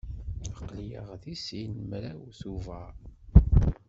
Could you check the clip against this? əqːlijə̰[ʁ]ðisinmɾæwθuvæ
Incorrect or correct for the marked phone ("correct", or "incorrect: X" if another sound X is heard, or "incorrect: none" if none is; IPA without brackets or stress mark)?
correct